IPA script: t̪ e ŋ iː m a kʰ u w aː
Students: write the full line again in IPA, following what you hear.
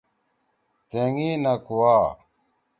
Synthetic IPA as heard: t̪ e ŋ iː n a k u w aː